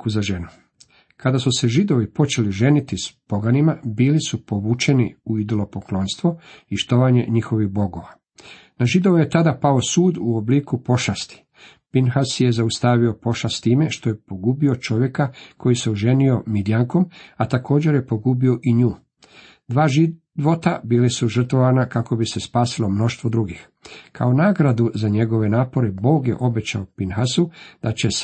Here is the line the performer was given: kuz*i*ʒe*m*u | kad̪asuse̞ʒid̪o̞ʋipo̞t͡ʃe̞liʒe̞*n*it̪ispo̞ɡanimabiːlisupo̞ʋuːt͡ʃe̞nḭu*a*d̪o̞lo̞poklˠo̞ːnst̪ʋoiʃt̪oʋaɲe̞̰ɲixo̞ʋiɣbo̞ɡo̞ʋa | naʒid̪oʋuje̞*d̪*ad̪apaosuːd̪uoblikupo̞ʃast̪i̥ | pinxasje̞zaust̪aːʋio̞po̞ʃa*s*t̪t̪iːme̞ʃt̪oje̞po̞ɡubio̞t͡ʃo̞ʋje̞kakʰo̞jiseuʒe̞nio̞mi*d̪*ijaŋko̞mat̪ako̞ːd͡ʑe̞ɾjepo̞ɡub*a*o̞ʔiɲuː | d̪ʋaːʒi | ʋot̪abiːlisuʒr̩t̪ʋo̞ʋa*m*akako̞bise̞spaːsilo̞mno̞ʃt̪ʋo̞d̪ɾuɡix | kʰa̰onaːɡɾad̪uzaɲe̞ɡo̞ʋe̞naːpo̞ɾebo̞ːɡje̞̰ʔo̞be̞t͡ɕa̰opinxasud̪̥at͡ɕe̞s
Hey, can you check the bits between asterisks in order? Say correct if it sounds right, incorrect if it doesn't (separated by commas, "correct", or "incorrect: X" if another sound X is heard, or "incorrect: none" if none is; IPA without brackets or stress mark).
incorrect: a, incorrect: n, correct, incorrect: i, incorrect: t̪, correct, correct, incorrect: i, incorrect: n